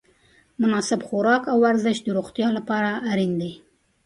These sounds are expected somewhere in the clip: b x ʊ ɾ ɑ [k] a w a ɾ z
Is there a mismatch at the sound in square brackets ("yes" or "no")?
no